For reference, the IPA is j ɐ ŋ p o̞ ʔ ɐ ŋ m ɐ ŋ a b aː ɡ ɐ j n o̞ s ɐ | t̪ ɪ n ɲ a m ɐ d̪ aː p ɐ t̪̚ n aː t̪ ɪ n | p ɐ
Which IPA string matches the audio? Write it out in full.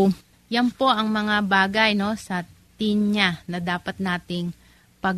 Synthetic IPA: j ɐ n p o̞ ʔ ɐ ŋ m ɐ ŋ a b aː ɡ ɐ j n o̞ s ɐ | t̪ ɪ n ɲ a n ɐ d̪ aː p ɐ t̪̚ n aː t̪ ɪ ŋ | p ɐ